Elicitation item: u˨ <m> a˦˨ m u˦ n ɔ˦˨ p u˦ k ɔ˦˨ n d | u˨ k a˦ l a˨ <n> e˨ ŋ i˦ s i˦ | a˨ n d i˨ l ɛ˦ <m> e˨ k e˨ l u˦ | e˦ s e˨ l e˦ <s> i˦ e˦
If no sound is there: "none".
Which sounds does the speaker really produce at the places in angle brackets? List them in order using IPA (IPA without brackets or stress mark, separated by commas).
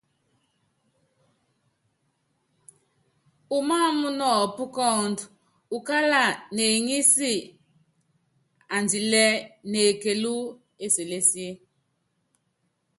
m, n, n, s